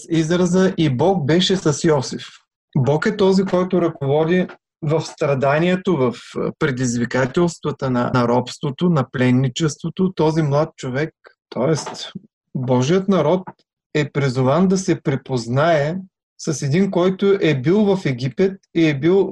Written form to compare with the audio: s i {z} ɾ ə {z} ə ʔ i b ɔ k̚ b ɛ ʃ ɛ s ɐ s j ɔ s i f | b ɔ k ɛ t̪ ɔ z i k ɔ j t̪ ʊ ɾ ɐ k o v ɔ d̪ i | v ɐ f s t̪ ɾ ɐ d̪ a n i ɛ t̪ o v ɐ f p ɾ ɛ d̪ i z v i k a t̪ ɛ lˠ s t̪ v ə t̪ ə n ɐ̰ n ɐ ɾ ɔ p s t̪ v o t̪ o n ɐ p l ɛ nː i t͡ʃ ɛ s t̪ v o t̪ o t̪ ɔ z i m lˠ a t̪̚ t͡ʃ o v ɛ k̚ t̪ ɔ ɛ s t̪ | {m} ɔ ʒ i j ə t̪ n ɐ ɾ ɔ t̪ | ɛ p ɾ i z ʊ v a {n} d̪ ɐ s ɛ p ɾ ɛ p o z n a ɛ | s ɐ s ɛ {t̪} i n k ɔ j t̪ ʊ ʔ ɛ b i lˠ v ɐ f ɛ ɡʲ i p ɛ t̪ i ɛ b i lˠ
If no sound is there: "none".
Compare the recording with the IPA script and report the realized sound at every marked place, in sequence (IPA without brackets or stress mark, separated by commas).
z, z, b, n, d̪